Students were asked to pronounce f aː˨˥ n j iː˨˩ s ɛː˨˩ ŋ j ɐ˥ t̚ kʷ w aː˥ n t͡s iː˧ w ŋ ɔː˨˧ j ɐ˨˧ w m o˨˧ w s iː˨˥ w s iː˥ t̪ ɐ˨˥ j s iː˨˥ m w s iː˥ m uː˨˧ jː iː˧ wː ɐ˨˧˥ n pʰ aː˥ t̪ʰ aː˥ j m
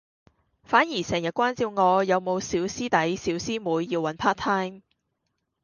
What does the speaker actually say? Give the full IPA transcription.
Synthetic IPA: f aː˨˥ n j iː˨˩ s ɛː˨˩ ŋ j ɐ˨ t̚ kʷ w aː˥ n t͡s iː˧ w ŋ ɔː˨˧ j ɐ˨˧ w m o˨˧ w s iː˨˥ w s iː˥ t̪ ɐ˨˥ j s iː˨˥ w s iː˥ m uː˨˧ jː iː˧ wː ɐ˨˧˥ n pʰ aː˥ t̪ʰ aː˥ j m